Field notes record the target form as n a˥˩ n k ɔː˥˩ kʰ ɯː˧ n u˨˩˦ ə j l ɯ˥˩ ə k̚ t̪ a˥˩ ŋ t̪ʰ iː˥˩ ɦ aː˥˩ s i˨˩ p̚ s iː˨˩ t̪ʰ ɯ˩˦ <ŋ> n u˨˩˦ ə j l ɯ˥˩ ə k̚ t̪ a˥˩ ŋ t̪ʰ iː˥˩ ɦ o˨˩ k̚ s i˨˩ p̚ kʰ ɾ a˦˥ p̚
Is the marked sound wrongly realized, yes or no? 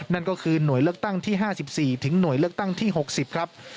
no